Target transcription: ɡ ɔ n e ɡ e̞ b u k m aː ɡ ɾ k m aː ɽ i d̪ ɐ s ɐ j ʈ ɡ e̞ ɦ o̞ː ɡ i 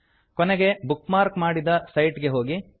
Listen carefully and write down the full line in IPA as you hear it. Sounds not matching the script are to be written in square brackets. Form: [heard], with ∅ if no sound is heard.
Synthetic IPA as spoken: [k] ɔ n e ɡ e̞ b u k m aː [∅] ɾ k m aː ɽ i d̪ ɐ s ɐ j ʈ ɡ e̞ ɦ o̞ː ɡ i